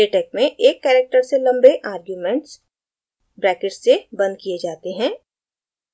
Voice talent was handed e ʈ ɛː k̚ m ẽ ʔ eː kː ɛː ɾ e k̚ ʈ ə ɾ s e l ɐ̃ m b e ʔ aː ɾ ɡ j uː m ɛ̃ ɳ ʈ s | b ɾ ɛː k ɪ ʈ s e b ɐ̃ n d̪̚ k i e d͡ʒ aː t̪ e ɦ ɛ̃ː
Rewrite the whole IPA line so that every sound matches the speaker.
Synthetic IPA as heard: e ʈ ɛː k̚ m ẽ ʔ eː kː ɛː ɾ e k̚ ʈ ə ɾ s e l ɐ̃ m b e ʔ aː ɾ ɡ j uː m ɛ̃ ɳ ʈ s | b ɾ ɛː k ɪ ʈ s e b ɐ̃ n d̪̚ k i e d͡ʒ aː t̪ e ɦ ɛ̃ː